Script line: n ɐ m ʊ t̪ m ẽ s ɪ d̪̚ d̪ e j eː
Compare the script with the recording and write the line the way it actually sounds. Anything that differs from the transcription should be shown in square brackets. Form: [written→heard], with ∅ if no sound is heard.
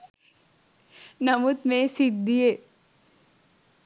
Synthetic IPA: n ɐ m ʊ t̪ m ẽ s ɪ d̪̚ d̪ [e→i] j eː